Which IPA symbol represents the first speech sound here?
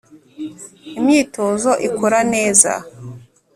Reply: i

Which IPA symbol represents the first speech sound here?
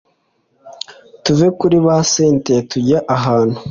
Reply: t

